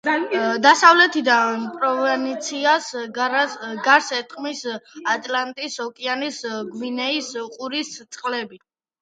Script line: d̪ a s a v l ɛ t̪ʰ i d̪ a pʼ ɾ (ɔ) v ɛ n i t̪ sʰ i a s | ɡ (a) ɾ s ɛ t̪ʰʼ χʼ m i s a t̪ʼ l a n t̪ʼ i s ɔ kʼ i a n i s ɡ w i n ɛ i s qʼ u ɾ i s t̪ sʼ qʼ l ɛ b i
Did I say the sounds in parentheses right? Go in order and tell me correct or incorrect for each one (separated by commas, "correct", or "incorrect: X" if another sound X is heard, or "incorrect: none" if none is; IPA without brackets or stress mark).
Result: correct, correct